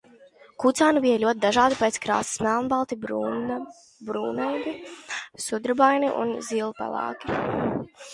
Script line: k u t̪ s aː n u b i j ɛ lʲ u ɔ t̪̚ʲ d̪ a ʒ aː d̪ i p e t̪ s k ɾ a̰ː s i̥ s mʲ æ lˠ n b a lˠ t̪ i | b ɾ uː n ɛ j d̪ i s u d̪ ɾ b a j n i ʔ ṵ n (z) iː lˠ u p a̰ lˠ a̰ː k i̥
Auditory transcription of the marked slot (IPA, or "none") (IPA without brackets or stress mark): z